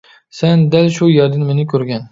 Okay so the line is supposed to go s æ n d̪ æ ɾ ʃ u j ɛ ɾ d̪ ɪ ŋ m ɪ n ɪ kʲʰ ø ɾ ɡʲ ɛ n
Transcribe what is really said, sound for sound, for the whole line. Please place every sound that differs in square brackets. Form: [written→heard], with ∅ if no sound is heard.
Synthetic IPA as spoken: s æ n d̪ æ [ɾ→l] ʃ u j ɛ ɾ d̪ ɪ [ŋ→n] m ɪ n ɪ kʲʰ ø ɾ ɡʲ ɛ n